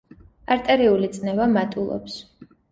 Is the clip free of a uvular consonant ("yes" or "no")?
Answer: yes